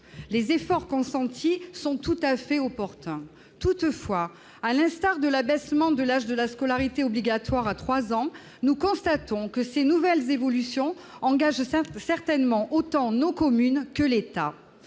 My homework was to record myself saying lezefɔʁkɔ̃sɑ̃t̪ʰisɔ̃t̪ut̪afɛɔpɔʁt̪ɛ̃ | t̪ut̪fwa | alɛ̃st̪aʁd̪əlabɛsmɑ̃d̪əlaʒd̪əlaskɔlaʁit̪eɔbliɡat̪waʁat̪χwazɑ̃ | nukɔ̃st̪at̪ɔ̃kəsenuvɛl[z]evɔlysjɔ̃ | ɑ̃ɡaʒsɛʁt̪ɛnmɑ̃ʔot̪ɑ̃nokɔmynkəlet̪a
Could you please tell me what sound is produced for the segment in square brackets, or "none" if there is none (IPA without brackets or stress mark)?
z